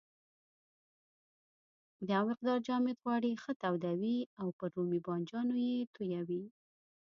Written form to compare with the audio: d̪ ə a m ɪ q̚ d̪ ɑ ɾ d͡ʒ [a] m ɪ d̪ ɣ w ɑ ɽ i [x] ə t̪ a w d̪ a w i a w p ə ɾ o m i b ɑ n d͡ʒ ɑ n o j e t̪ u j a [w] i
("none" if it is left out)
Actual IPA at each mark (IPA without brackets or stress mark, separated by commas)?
ɑ, x, w